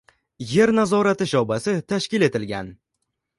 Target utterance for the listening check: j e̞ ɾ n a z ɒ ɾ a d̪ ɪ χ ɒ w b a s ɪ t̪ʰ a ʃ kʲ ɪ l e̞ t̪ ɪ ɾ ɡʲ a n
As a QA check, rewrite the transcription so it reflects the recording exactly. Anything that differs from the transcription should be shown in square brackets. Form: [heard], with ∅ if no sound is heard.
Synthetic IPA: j e̞ ɾ n a z ɒ ɾ a [t̪] ɪ [ʃ] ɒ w b a s ɪ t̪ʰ a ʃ kʲ ɪ l e̞ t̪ ɪ [l] ɡʲ a n